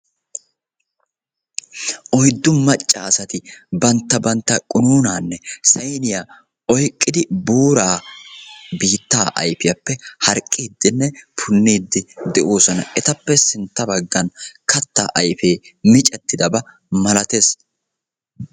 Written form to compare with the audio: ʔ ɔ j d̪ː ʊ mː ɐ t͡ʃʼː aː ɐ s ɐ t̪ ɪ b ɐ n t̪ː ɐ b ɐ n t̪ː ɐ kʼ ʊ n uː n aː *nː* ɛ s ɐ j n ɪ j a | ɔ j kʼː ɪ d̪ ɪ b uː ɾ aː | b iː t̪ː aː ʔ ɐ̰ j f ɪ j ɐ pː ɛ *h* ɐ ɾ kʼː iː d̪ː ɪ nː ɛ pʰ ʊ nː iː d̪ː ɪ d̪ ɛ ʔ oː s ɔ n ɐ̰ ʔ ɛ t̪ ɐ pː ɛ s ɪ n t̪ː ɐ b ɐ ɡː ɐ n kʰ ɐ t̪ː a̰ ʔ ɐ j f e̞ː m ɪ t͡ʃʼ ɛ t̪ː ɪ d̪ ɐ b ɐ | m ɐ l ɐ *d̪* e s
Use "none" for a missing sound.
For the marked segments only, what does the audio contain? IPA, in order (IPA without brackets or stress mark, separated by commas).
nː, h, t̪